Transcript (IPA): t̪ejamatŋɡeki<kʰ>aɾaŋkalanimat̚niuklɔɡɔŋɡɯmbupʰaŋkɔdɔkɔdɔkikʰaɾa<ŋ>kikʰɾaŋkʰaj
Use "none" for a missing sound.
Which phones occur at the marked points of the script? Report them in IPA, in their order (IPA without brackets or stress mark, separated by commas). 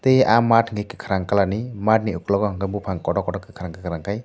kʰ, ŋ